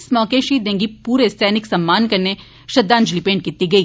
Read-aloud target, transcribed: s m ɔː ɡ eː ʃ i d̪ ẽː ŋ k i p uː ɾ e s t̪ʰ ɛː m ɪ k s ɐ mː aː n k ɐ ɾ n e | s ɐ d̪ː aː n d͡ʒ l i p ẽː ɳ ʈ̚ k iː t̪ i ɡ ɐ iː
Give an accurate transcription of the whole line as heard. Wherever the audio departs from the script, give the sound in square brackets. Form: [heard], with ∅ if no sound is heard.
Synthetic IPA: s m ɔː [k] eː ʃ i d̪ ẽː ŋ [ɡ] i p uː ɾ e s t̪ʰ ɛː [n] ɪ k s ɐ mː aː n k ɐ ɾ n e | [ʃ] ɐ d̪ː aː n d͡ʒ l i p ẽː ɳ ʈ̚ k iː t̪ i ɡ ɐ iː